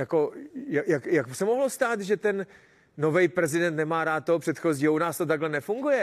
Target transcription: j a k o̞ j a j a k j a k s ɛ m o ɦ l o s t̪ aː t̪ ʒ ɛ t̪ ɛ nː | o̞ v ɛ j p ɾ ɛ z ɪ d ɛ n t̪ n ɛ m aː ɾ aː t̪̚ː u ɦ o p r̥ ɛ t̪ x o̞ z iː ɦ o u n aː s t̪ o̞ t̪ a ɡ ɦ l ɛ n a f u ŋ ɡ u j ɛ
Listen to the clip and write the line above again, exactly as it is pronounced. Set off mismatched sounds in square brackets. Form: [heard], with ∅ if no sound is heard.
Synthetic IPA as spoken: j a k o̞ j a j a k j a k s ɛ m o ɦ l o s t̪ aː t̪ ʒ ɛ t̪ ɛ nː | o̞ v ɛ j p ɾ ɛ z ɪ d ɛ n t̪ n ɛ m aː ɾ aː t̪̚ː [o] ɦ o p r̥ ɛ t̪ x o̞ z iː ɦ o u n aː s t̪ o̞ t̪ a ɡ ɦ l ɛ n [ɛ] f u ŋ ɡ u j ɛ